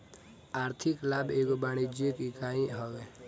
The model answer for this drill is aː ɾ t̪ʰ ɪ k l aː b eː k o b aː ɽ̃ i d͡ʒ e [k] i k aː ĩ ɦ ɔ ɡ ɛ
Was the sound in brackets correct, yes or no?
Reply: yes